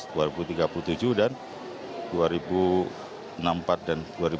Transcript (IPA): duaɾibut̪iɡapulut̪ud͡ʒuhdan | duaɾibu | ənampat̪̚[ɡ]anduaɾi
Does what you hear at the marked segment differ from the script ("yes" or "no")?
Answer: yes